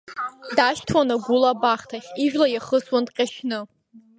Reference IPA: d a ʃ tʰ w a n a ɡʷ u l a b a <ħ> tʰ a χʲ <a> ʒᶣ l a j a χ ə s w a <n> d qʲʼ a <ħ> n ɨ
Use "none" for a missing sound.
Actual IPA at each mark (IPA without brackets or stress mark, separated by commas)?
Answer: χ, i, n, ʃ